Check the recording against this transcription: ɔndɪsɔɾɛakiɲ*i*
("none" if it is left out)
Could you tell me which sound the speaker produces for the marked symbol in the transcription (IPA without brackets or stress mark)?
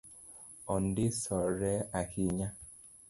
a